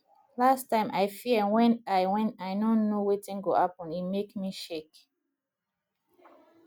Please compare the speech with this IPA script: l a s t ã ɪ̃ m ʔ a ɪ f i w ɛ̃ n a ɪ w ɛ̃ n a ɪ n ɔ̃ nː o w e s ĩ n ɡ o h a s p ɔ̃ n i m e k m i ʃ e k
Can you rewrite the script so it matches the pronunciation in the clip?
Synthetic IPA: l a s t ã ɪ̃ m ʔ a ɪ f i w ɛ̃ n a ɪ w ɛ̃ n a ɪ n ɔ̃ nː o w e t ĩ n ɡ o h a p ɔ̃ n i m e k m i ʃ e k